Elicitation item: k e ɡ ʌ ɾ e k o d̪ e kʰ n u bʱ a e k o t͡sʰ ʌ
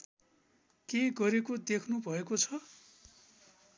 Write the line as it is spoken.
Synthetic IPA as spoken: k e ɡ ʌ ɾ e k o d̪ e kʰ n u bʱ ʌ e k o t͡sʰ ʌ